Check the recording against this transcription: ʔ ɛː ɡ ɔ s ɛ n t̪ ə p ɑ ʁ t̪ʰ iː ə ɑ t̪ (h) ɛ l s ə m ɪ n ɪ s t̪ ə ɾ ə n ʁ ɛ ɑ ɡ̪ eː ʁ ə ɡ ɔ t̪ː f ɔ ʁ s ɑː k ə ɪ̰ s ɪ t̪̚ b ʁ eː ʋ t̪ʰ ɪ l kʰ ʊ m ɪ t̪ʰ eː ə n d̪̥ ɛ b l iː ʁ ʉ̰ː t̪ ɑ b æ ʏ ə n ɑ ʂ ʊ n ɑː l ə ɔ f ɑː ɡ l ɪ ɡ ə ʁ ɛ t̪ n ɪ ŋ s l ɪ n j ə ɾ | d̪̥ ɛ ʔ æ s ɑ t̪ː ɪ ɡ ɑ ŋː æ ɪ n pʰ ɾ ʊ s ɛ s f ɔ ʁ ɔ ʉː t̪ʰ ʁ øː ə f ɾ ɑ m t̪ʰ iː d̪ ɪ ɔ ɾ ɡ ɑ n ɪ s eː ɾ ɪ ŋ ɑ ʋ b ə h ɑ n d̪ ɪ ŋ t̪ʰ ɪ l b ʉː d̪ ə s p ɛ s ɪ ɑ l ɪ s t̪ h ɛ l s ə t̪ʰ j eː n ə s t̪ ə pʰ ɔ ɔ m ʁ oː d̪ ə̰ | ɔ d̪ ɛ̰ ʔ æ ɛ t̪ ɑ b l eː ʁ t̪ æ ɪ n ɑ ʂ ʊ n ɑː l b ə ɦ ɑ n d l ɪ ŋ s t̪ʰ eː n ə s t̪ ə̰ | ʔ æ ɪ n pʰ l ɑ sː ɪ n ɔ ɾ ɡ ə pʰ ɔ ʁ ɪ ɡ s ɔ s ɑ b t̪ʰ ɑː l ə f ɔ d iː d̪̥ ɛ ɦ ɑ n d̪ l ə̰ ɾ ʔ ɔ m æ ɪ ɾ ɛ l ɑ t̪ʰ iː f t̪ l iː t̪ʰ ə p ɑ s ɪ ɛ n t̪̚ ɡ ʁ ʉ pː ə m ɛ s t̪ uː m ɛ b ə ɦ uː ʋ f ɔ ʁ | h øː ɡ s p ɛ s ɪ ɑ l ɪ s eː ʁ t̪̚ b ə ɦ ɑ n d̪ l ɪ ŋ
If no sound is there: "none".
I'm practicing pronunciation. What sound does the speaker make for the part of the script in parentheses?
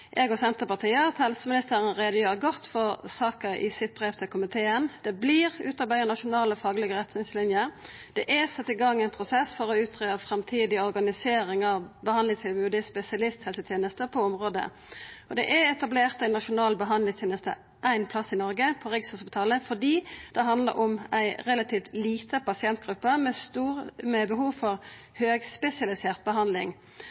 h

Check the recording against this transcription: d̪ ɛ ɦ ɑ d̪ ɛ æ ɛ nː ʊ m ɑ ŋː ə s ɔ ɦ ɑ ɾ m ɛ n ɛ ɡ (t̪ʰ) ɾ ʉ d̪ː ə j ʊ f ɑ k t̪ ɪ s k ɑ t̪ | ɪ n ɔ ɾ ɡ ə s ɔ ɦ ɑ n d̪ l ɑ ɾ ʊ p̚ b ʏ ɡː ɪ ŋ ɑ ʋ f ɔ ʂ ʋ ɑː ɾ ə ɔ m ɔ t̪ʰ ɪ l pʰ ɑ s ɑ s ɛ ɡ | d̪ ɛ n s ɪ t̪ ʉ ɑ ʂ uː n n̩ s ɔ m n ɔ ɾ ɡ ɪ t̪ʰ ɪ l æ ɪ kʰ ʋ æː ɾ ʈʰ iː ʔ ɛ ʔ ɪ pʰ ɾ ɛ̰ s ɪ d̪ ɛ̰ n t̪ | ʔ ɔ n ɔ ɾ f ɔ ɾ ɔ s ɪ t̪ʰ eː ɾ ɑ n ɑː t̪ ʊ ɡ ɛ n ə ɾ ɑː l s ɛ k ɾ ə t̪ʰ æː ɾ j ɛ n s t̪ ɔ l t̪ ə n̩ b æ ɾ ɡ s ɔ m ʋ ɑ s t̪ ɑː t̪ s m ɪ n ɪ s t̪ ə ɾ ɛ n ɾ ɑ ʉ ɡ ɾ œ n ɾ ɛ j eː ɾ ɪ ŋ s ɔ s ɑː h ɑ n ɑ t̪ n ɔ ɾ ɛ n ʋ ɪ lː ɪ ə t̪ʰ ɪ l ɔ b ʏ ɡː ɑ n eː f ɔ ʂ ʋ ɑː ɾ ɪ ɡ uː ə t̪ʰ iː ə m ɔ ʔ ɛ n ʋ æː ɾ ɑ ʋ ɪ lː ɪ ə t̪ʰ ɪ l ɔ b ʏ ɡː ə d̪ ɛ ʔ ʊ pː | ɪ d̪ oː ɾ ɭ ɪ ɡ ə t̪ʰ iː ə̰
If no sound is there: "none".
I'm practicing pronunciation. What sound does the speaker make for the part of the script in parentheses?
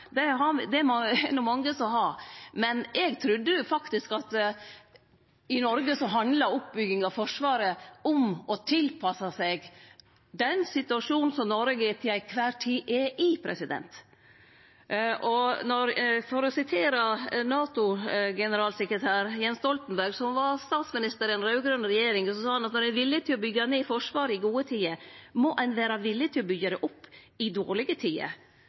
t̪ʰ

